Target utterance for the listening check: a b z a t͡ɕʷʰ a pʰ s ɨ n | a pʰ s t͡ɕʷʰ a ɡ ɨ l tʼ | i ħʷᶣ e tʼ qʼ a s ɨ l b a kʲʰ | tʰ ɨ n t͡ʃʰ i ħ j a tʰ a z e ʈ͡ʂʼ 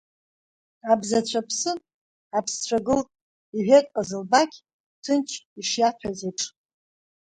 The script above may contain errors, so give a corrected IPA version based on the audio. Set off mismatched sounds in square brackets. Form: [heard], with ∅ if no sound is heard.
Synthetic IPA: a b z a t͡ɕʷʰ a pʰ s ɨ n | a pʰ s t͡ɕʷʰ a ɡ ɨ l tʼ | i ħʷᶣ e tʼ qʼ a [z] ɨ l b a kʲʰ | tʰ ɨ n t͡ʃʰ i [ʂ] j a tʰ a z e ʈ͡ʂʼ